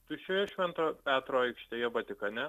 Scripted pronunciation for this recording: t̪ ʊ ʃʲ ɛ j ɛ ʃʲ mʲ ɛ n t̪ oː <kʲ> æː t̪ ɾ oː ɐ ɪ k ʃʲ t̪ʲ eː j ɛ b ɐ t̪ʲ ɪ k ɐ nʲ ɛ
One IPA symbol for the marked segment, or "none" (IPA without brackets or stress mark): pʲ